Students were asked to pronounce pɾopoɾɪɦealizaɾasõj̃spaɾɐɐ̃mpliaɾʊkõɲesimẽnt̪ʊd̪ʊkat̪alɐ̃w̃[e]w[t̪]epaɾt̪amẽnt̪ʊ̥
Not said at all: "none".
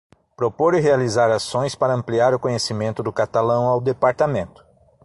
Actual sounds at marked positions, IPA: a, d̪

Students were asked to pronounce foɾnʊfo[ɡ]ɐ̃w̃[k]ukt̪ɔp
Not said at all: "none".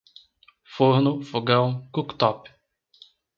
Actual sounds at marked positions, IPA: ɡ, k

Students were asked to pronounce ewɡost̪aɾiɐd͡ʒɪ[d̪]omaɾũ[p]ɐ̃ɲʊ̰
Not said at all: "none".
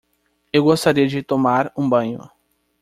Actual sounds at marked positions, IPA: t̪, b

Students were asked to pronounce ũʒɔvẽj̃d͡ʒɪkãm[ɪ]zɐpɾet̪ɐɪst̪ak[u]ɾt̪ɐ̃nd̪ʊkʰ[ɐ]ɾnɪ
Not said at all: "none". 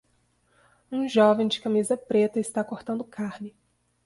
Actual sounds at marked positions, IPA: i, o, a

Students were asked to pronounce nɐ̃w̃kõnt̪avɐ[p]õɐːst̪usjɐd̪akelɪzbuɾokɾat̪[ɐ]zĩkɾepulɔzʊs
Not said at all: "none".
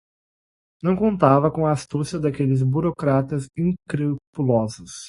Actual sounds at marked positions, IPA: k, ɐ

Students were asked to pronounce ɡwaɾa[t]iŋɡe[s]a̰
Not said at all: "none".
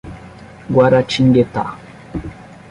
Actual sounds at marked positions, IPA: t͡ʃ, t

